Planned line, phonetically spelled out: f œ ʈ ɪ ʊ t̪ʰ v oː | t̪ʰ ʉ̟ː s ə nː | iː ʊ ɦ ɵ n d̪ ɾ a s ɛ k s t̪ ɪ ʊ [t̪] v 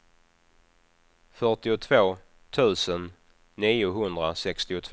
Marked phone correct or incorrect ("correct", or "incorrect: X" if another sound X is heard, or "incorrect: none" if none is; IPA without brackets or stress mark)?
incorrect: t̪ʰ